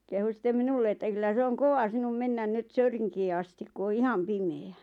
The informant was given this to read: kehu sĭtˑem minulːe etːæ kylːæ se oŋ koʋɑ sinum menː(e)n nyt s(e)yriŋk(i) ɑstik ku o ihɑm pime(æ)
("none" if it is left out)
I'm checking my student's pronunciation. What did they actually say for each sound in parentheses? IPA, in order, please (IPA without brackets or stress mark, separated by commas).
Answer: æ, ø, iː, æ